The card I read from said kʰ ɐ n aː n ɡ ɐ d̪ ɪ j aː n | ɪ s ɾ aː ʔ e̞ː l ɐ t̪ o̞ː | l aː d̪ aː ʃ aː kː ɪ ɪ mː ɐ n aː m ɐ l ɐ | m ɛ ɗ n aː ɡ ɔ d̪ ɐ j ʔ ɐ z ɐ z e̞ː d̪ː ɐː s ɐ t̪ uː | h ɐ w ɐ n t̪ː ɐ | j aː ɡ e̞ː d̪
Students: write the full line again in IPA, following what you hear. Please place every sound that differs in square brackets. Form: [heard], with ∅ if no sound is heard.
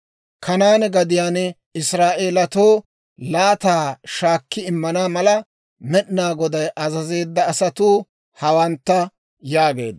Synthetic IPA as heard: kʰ ɐ n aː n ɡ ɐ d̪ ɪ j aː n | ɪ s ɾ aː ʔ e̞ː l ɐ t̪ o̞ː | l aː [t̪] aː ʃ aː kː ɪ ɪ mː ɐ n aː m ɐ l ɐ | m ɛ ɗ n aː ɡ ɔ d̪ ɐ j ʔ ɐ z ɐ z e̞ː d̪ː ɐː s ɐ t̪ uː | h ɐ w ɐ n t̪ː ɐ | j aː ɡ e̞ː d̪

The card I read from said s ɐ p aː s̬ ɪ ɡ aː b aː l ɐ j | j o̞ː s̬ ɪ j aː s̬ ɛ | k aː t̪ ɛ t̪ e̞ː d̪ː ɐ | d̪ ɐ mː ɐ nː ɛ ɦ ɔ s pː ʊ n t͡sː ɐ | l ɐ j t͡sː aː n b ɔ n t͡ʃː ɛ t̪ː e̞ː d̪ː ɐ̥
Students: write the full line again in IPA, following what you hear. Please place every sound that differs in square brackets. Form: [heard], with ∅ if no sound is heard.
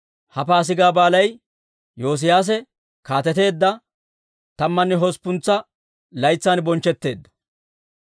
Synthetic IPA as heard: [h] ɐ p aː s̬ ɪ ɡ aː b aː l ɐ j | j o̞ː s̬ ɪ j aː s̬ ɛ | k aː t̪ ɛ t̪ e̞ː d̪ː ɐ | [t̪] ɐ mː ɐ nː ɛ ɦ ɔ s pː ʊ n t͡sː ɐ | l ɐ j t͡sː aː n b ɔ n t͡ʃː ɛ t̪ː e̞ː d̪ː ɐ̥

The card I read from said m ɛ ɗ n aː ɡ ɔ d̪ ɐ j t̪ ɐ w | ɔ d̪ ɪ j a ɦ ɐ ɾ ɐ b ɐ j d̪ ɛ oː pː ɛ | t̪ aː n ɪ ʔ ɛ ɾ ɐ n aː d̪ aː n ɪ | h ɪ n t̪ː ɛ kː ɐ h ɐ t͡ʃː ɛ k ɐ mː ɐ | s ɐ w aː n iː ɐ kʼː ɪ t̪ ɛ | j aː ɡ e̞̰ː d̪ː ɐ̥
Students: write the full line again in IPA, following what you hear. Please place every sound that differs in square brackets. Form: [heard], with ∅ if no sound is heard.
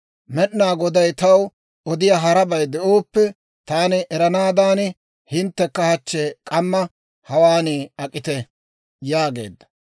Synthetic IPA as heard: m ɛ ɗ n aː ɡ ɔ d̪ ɐ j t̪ ɐ w | ɔ d̪ ɪ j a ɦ ɐ ɾ ɐ b ɐ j d̪ ɛ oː pː ɛ | t̪ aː n ɪ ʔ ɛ ɾ ɐ n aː d̪ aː n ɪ | h ɪ n t̪ː ɛ kː ɐ h ɐ t͡ʃː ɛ [kʼ] ɐ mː ɐ | [h] ɐ w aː n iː ɐ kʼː ɪ t̪ ɛ | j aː ɡ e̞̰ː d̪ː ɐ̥

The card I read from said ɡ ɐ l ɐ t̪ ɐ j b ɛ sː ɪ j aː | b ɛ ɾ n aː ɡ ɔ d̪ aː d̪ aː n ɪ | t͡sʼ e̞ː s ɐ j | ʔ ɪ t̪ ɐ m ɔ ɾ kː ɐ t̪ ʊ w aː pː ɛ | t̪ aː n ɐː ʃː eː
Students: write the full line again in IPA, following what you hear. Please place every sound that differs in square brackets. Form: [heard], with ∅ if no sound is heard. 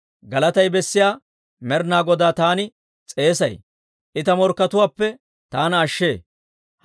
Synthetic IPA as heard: ɡ ɐ l ɐ t̪ ɐ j b ɛ sː ɪ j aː | [m] ɛ ɾ n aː ɡ ɔ d̪ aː [t̪] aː n ɪ | t͡sʼ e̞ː s ɐ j | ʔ ɪ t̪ ɐ m ɔ ɾ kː ɐ t̪ ʊ w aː pː ɛ | t̪ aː n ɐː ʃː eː

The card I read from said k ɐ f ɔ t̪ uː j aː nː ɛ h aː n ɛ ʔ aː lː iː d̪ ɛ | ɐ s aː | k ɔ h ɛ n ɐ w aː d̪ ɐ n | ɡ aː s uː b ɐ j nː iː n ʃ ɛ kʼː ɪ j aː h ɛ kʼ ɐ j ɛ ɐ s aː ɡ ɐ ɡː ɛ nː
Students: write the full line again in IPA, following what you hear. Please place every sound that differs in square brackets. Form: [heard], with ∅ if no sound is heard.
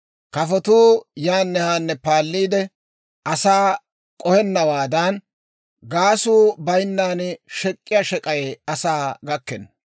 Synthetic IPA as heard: k ɐ f ɔ t̪ uː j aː nː ɛ h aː [nː] ɛ [p] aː lː iː d̪ ɛ | ɐ s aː | [kʼ] ɔ h ɛ [nː] ɐ w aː d̪ ɐ n | ɡ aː s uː b ɐ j nː [aː] n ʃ ɛ kʼː ɪ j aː [ʃ] ɛ kʼ ɐ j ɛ ɐ s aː ɡ ɐ [kː] ɛ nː

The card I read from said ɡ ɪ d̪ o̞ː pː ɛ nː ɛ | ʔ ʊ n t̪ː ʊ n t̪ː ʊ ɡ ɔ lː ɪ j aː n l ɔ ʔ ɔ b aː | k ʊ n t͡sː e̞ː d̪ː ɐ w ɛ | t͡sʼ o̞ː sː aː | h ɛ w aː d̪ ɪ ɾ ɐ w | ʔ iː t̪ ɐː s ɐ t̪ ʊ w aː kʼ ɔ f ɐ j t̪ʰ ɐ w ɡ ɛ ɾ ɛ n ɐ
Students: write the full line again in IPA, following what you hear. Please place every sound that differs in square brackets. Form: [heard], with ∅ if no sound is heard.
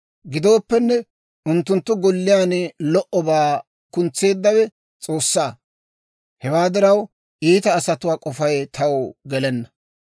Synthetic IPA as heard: ɡ ɪ d̪ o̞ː pː ɛ nː ɛ | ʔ ʊ n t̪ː ʊ n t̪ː ʊ ɡ ɔ lː ɪ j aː n l ɔ ʔ ɔ b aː | k ʊ n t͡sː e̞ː d̪ː ɐ w ɛ | t͡sʼ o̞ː sː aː | h ɛ w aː d̪ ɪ ɾ ɐ w | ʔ iː t̪ ɐː s ɐ t̪ ʊ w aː kʼ ɔ f ɐ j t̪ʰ ɐ w ɡ ɛ [l] ɛ [nː] ɐ

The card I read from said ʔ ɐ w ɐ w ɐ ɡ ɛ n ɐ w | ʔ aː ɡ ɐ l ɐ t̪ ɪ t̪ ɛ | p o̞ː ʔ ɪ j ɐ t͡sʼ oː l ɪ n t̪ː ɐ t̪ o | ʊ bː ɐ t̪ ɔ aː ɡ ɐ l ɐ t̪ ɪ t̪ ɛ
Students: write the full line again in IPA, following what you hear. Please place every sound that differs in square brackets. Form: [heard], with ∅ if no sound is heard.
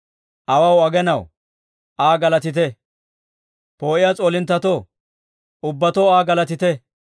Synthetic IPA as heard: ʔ ɐ w ɐ w ɐ ɡ ɛ n ɐ w | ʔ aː ɡ ɐ l ɐ t̪ ɪ t̪ ɛ | p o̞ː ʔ ɪ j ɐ t͡sʼ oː l ɪ n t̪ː ɐ t̪ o | ʊ bː ɐ t̪ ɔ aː ɡ ɐ l ɐ t̪ ɪ t̪ ɛ

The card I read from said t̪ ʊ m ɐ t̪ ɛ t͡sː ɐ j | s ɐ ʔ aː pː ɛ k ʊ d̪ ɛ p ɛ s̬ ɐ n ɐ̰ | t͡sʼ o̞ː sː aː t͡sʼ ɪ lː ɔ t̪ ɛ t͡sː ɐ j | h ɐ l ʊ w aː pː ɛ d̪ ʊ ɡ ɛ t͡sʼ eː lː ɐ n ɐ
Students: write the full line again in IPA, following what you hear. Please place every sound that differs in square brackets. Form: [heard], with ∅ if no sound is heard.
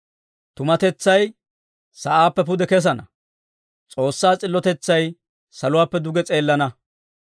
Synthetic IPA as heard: t̪ ʊ m ɐ t̪ ɛ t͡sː ɐ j | s ɐ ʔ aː pː ɛ [p] ʊ d̪ ɛ [k] ɛ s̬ ɐ n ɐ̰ | t͡sʼ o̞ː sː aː t͡sʼ ɪ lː ɔ t̪ ɛ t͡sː ɐ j | [s] ɐ l ʊ w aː pː ɛ d̪ ʊ ɡ ɛ t͡sʼ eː lː ɐ n ɐ

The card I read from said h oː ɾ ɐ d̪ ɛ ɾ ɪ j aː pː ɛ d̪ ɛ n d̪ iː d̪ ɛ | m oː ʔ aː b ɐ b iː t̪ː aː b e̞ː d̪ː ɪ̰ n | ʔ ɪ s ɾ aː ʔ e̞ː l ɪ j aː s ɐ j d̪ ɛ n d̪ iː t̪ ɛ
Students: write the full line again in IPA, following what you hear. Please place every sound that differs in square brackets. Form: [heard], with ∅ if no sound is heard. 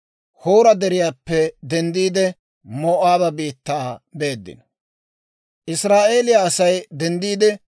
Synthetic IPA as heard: h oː ɾ ɐ d̪ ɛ ɾ ɪ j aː pː ɛ d̪ ɛ n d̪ iː d̪ ɛ | m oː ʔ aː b ɐ b iː t̪ː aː b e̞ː d̪ː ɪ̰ n | ʔ ɪ s ɾ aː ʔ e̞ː l ɪ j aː s ɐ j d̪ ɛ n d̪ iː [d̪] ɛ

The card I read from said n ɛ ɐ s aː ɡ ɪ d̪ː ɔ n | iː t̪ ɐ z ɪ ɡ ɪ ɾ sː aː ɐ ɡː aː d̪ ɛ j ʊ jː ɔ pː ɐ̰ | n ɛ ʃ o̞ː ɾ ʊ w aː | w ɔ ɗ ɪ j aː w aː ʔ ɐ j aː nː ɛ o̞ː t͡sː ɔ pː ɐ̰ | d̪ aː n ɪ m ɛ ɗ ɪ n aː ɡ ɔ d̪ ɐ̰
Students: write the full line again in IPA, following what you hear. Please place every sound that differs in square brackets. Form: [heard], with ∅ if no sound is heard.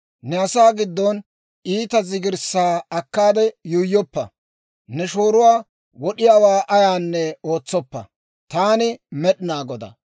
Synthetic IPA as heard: n ɛ ɐ s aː ɡ ɪ d̪ː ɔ n | iː t̪ ɐ z ɪ ɡ ɪ ɾ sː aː ɐ [kː] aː d̪ ɛ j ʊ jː ɔ pː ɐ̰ | n ɛ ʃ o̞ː ɾ ʊ w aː | w ɔ ɗ ɪ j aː w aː ʔ ɐ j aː nː ɛ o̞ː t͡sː ɔ pː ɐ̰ | [t̪] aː n ɪ m ɛ ɗ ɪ n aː ɡ ɔ d̪ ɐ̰

